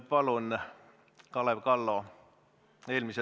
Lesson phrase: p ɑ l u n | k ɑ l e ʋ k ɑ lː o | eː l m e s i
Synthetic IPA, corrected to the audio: p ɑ l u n | k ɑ l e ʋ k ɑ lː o | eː l m i s e